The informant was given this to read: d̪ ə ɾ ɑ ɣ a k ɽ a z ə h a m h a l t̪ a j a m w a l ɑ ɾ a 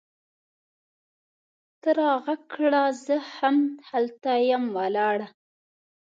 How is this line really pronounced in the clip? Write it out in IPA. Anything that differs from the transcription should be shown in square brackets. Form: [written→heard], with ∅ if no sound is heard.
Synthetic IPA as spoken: [d̪→t̪] ə ɾ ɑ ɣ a k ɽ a z ə h a m h a l t̪ a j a m w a l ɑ [ɾ→ɽ] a